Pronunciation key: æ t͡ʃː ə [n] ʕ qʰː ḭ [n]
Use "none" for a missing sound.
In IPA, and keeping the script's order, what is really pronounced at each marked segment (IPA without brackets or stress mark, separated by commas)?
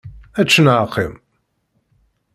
n, m